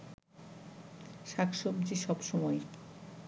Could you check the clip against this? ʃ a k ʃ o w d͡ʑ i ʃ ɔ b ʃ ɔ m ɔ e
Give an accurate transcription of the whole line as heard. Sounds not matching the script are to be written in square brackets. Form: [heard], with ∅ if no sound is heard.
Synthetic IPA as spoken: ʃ a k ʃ o [b] d͡ʑ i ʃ ɔ b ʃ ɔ m ɔ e